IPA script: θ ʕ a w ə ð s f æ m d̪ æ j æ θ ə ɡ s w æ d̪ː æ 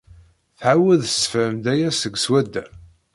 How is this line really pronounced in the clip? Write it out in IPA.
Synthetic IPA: θ ʕ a w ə ð s f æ m d̪ æ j æ s ə ɡ s w æ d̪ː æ